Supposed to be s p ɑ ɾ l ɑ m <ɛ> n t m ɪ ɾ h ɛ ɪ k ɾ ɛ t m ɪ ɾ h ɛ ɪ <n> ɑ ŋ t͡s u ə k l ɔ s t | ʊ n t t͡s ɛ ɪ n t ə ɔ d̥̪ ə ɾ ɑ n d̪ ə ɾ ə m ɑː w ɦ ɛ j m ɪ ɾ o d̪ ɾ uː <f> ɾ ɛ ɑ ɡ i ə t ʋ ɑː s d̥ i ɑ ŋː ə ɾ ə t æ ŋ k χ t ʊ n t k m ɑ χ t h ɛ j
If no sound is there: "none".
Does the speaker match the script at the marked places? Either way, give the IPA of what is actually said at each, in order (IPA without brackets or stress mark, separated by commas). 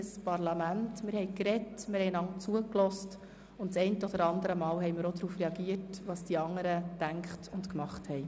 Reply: æ, n, f